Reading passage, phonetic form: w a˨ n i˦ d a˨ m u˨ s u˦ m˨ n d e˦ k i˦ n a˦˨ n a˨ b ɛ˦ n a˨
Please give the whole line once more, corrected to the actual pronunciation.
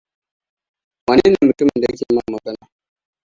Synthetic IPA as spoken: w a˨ n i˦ n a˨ m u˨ t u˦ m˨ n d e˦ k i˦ m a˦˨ m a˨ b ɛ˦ n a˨

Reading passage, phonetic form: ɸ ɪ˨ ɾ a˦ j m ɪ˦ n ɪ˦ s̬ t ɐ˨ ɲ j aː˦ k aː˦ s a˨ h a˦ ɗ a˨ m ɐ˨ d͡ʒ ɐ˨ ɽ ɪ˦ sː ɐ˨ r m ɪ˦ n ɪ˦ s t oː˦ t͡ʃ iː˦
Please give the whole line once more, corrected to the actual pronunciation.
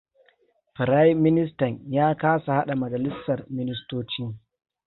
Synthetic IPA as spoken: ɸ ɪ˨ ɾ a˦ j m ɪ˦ n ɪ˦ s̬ t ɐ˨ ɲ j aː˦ k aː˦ s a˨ h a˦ ɗ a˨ m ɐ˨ d͡ʒ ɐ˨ l ɪ˦ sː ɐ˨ r m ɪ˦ n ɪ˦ s t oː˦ t͡ʃ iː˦

